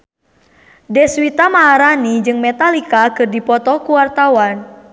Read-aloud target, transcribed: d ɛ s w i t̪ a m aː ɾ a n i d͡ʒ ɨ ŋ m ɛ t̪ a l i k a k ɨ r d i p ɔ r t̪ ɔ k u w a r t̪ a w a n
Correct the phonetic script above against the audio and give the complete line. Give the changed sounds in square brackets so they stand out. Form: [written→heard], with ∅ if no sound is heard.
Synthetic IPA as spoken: d ɛ s w i t̪ a m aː ɾ a n i d͡ʒ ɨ ŋ m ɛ t̪ a l i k a k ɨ r d i p ɔ [r→∅] t̪ ɔ k u w a r t̪ a w a n